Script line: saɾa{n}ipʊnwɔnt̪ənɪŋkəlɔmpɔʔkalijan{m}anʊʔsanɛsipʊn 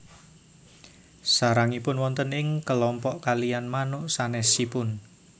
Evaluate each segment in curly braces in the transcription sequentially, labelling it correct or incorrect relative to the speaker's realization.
incorrect: ŋ, correct

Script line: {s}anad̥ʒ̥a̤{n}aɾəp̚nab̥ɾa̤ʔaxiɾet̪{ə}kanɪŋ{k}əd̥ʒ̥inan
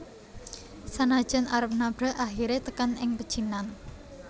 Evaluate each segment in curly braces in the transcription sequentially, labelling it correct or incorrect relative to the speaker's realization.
correct, correct, correct, incorrect: p

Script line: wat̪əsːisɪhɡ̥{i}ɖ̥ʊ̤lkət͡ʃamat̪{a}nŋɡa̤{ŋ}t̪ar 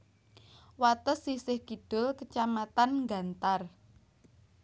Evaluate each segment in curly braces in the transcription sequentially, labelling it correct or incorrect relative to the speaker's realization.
correct, correct, incorrect: n

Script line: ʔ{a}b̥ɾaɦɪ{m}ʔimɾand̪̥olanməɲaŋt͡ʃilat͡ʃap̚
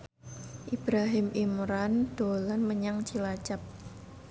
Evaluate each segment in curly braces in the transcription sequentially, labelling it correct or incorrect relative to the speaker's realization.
incorrect: i, correct

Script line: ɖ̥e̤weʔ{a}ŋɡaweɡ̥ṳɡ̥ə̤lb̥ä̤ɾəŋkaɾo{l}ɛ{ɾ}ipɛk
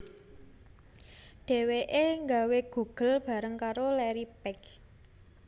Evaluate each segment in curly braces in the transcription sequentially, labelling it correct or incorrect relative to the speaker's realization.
incorrect: e, correct, correct

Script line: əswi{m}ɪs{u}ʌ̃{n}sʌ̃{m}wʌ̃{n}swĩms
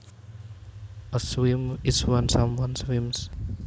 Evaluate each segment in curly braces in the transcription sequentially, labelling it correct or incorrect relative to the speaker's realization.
correct, incorrect: w, correct, correct, correct

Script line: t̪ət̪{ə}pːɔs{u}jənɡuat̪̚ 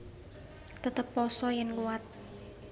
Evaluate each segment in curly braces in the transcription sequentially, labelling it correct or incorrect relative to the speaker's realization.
correct, incorrect: ɔ

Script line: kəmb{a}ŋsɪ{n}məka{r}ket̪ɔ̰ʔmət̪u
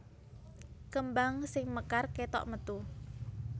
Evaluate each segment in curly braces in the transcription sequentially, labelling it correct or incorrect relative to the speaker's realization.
correct, incorrect: ŋ, correct

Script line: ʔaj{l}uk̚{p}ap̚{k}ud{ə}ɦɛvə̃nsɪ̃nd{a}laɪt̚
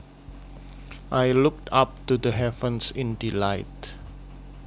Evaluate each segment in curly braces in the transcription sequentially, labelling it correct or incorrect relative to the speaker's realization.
correct, incorrect: t, incorrect: t, correct, incorrect: i

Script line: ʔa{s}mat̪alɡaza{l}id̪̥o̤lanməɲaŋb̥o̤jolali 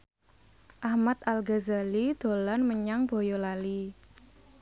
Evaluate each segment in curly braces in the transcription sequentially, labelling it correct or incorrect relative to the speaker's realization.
incorrect: h, correct

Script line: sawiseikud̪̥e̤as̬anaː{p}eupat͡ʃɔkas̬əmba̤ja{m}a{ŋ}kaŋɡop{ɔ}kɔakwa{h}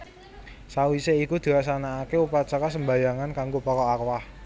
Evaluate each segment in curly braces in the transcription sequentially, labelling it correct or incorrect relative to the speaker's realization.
incorrect: k, incorrect: ŋ, incorrect: n, correct, correct

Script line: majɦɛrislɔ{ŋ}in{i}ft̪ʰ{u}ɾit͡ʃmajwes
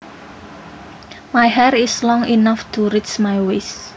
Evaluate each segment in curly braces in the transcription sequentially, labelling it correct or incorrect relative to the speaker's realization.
correct, incorrect: a, correct

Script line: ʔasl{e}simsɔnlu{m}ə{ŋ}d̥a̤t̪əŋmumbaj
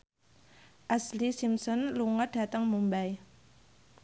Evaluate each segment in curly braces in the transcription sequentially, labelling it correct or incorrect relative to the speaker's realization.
incorrect: i, incorrect: ŋ, incorrect: none

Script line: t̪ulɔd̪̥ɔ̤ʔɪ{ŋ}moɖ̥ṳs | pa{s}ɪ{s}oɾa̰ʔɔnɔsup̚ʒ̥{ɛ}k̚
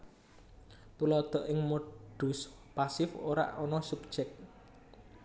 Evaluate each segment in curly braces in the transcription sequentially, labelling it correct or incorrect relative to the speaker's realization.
correct, correct, incorrect: f, correct

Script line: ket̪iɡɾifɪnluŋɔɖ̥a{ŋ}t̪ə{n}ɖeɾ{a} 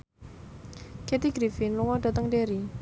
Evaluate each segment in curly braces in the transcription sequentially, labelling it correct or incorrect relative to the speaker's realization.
incorrect: none, incorrect: ŋ, incorrect: i

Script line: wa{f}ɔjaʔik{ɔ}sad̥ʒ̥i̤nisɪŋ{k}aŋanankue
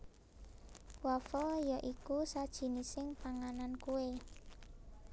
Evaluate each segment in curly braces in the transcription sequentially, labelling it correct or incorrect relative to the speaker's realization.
correct, incorrect: u, incorrect: p

